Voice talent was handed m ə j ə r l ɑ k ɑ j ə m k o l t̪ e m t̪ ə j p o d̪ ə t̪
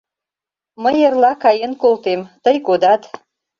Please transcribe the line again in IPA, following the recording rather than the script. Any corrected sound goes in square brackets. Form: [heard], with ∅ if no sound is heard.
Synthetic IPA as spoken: m ə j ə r l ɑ k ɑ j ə [n] k o l t̪ e m t̪ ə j [k] o d̪ [ɑ] t̪